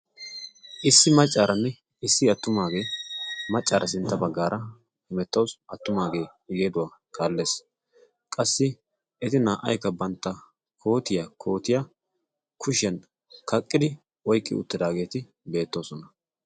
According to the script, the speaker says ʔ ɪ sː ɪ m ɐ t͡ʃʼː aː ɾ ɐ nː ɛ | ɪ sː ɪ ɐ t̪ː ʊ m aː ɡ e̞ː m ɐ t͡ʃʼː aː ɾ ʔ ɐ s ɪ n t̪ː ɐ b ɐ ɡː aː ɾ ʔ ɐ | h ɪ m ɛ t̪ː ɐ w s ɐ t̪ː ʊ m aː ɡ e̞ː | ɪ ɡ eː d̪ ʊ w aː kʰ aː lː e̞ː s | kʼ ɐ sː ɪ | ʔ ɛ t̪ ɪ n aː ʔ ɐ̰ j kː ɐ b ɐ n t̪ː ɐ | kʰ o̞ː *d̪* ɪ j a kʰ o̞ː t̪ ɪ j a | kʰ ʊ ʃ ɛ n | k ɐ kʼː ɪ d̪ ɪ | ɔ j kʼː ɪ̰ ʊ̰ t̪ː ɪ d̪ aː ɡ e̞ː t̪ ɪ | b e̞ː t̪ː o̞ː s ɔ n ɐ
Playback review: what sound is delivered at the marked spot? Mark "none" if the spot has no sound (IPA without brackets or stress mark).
t̪